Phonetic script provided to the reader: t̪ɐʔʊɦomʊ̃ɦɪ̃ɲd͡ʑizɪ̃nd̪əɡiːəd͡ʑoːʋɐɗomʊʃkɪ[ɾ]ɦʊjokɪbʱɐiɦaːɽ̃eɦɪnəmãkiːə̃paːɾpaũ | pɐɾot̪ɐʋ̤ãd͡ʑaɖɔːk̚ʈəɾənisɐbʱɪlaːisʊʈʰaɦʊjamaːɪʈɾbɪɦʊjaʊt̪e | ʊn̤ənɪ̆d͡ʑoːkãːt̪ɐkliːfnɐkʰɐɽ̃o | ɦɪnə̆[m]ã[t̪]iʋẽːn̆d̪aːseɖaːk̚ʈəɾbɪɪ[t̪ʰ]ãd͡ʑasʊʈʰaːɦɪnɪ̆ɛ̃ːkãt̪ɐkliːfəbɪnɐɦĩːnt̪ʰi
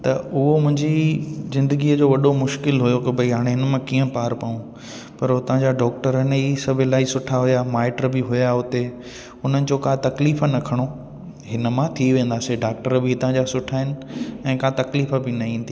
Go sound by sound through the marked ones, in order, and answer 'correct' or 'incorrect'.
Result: incorrect: l, correct, incorrect: t̪ʰ, incorrect: t̪

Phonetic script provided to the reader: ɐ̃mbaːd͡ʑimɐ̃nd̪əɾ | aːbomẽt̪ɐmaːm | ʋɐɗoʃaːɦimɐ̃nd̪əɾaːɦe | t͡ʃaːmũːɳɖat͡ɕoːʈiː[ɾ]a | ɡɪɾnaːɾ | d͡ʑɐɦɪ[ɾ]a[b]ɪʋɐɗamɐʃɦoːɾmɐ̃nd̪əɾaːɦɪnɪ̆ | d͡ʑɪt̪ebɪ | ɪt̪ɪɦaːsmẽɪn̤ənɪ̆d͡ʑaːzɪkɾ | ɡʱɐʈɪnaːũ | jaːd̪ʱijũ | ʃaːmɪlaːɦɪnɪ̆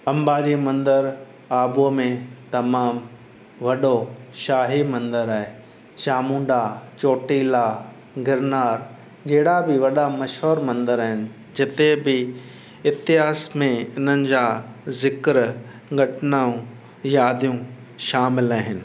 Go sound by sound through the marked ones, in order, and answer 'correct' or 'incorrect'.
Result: incorrect: l, incorrect: ɽ, correct

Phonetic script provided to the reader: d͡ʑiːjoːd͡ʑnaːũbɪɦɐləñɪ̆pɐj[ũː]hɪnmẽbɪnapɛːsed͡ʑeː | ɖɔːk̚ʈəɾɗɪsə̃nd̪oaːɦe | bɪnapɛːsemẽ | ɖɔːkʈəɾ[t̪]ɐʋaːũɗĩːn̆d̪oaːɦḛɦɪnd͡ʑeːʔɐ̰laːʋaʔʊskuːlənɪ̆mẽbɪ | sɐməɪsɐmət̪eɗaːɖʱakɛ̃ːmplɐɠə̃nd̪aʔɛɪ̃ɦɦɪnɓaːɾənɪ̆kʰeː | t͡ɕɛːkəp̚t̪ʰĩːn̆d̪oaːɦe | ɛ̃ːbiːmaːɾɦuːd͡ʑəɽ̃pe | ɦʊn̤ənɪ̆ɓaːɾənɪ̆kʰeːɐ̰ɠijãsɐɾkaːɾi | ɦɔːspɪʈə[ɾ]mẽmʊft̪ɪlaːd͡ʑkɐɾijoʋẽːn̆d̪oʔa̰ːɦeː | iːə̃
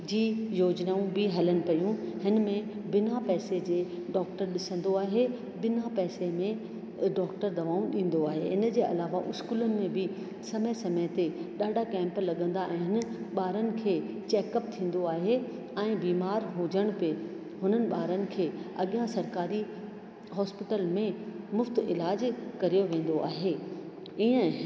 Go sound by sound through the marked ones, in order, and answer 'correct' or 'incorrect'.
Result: incorrect: ũ, incorrect: d̪, incorrect: l

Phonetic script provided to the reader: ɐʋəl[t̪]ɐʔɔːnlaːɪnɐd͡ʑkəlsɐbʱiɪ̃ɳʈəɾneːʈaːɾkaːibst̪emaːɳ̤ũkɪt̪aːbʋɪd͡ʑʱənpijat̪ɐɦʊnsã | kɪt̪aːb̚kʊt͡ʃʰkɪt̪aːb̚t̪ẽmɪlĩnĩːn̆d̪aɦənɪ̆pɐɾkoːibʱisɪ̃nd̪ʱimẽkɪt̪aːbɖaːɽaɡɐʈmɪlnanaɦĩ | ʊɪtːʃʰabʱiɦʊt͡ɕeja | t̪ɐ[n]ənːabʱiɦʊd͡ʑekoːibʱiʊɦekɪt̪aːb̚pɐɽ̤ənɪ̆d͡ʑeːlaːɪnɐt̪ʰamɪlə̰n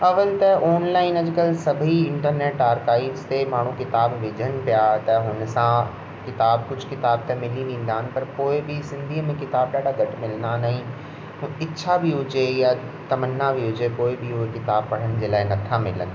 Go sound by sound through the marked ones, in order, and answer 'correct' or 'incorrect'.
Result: correct, incorrect: m

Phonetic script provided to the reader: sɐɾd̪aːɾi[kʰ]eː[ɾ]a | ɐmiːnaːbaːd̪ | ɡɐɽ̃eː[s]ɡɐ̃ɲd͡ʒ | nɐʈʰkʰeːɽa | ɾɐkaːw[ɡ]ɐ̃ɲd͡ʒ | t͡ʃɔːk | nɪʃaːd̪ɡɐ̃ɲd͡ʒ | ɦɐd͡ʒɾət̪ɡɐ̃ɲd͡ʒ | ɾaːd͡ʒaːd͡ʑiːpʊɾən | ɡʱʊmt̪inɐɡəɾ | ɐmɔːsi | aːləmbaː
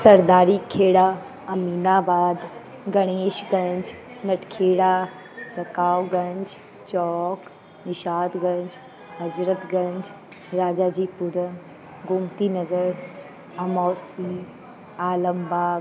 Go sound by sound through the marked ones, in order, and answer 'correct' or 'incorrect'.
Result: correct, incorrect: ɽ, incorrect: ʃ, correct

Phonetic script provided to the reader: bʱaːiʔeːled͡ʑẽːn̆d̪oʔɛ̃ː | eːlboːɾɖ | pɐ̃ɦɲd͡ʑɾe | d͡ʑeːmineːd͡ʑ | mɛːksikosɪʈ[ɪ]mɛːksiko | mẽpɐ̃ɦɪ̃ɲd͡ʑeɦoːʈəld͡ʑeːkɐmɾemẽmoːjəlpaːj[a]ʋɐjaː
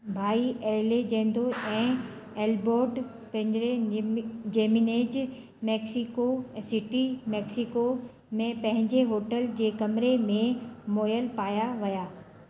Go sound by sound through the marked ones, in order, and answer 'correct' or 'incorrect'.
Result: incorrect: i, correct

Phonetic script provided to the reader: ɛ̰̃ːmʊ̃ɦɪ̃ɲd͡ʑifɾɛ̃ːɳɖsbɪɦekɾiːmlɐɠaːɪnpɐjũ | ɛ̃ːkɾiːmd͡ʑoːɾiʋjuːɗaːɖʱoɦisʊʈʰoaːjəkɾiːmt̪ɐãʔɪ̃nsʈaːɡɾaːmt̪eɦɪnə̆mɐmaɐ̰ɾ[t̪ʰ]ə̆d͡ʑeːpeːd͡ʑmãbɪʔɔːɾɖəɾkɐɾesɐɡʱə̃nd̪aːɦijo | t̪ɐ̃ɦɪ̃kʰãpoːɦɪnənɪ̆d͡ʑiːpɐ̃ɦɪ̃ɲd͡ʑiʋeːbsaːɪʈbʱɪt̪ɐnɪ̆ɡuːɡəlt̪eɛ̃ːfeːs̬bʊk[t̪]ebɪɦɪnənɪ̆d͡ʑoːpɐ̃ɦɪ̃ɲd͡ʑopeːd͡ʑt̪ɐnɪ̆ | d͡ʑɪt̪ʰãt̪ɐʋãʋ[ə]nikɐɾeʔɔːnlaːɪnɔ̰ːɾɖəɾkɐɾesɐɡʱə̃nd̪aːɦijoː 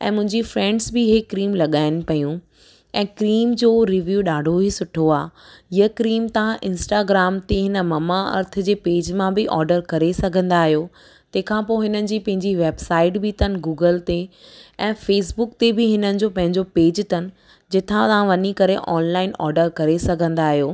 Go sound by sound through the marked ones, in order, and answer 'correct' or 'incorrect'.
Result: correct, correct, incorrect: ɐ

